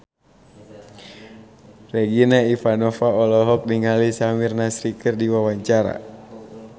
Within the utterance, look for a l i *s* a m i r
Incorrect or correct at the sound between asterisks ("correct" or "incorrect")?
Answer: correct